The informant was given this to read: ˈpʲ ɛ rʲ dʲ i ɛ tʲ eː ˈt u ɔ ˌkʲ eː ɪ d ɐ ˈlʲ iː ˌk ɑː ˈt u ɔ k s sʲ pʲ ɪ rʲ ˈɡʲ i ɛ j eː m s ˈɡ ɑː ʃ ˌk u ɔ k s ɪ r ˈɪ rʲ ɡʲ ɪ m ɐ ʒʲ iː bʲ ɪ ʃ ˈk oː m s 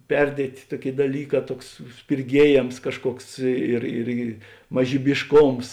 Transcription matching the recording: ˈpʲ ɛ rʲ dʲ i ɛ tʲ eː ˈt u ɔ ˌkʲ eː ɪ d ɐ ˈlʲ iː ˌk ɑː ˈt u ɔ k s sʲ pʲ ɪ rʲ ˈɡʲ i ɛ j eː m s ˈk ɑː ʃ ˌk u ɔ k s ɪ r ˈɪ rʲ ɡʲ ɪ m ɐ ʒʲ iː bʲ ɪ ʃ ˈk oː m s